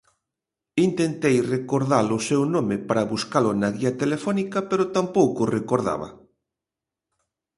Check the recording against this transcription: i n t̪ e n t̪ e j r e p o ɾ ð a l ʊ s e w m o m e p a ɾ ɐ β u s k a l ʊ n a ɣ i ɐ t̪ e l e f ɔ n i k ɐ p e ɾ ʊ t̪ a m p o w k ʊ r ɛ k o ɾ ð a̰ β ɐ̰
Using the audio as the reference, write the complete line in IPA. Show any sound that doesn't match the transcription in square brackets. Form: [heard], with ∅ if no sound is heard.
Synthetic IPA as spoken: i n t̪ e n t̪ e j r e [k] o ɾ ð a l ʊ s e w [n] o m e p a ɾ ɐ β u s k a l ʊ n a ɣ i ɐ t̪ e l e f ɔ n i k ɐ p e ɾ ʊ t̪ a m p o w k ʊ r [e] k o ɾ ð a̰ β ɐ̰